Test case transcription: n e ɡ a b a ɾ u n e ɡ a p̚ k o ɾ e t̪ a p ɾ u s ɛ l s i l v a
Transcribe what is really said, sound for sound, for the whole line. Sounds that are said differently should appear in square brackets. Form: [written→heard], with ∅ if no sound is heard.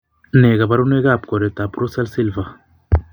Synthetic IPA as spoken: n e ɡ a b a ɾ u n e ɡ a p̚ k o ɾ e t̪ a p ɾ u s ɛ l s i l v a